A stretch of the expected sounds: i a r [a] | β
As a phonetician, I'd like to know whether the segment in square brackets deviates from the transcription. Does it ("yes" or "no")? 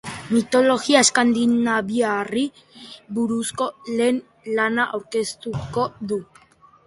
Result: yes